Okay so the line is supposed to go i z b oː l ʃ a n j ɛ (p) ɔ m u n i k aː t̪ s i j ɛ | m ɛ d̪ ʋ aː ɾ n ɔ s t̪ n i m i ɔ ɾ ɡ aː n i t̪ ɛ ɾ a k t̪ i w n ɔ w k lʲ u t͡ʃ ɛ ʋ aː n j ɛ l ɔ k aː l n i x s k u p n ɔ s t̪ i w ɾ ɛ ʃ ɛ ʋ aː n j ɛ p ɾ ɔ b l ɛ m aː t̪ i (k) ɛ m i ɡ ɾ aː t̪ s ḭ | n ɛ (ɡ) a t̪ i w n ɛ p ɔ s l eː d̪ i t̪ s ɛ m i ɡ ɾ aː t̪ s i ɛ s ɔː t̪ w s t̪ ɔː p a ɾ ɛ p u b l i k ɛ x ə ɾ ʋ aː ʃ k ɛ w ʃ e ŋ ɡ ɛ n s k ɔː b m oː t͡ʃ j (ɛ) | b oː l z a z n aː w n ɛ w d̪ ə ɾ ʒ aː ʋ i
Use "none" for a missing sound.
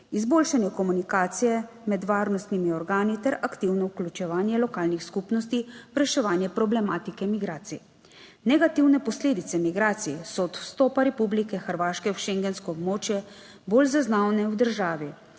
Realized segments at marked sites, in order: k, k, ɡ, ɛ

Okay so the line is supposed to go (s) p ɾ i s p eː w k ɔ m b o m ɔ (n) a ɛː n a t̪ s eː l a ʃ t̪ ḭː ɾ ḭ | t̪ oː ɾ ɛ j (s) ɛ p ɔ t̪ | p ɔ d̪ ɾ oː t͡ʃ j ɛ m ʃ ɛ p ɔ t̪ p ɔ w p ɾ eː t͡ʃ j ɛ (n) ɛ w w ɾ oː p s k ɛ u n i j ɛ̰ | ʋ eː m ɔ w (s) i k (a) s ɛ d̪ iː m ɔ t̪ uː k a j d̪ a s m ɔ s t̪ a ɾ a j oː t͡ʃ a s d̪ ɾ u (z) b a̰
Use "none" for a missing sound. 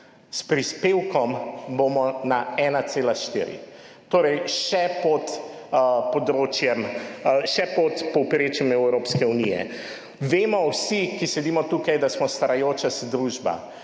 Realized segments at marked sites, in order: s, n, ʃ, m, s, i, ʒ

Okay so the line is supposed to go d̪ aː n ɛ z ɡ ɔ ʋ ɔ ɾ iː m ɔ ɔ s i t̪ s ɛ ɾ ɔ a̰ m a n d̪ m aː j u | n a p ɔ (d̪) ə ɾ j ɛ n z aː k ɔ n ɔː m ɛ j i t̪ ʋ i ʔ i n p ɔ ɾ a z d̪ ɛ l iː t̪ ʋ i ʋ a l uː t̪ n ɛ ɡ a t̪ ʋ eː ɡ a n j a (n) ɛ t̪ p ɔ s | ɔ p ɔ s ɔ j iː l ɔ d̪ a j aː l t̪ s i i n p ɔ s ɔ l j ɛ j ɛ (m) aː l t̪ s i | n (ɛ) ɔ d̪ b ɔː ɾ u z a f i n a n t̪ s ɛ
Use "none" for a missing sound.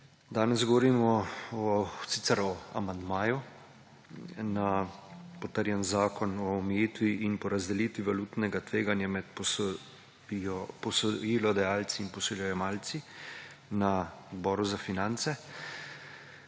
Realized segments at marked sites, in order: t̪, m, m, a

